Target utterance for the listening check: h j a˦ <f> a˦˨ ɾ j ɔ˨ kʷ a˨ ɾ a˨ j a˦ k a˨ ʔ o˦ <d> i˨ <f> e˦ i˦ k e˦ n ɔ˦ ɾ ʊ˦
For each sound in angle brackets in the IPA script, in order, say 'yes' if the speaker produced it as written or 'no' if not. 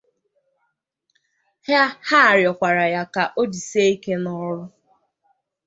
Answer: no, yes, no

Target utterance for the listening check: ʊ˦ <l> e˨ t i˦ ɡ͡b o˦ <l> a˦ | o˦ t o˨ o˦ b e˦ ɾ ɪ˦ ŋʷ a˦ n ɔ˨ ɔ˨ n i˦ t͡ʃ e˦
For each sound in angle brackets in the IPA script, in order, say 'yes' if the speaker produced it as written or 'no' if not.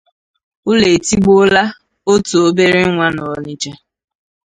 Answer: yes, yes

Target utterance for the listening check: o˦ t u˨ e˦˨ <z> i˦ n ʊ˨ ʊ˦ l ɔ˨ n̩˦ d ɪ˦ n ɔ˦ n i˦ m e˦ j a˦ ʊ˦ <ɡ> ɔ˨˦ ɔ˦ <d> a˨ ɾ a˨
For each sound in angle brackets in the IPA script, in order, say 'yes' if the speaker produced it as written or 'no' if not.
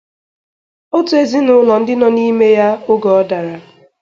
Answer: yes, yes, yes

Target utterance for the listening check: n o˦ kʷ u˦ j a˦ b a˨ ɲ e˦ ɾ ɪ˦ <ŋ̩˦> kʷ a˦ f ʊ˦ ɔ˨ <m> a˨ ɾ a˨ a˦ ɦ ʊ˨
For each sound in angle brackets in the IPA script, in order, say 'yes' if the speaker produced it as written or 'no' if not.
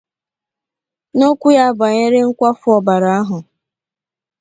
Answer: yes, no

